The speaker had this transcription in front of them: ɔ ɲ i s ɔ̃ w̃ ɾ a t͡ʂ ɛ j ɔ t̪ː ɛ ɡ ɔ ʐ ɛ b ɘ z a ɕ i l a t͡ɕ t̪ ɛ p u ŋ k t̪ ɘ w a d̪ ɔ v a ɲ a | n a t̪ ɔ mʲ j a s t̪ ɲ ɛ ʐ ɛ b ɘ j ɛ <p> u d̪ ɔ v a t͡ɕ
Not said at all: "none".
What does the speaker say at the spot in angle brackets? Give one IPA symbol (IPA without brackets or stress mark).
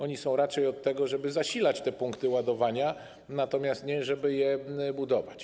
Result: b